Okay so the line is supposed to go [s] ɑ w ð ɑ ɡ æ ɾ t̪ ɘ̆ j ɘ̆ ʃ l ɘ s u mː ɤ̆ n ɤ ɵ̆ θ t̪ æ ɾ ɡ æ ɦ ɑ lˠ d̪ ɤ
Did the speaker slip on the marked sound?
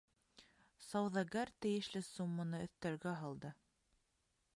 no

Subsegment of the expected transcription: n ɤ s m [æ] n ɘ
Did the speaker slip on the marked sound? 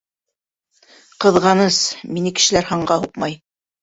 yes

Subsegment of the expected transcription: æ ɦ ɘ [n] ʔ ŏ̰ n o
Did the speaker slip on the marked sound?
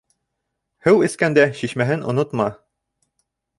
no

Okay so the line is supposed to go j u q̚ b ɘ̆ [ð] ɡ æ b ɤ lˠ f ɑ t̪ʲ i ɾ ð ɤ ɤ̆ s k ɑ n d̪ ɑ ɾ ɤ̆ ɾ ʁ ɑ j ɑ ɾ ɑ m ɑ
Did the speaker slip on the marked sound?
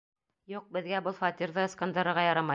no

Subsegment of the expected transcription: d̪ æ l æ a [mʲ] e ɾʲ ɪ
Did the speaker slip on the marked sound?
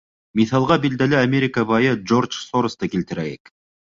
no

